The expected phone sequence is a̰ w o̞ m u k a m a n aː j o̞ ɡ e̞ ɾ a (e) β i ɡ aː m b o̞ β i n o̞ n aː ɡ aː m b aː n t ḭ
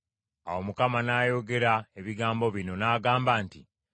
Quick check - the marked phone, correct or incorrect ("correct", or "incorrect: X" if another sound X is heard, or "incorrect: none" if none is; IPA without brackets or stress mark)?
correct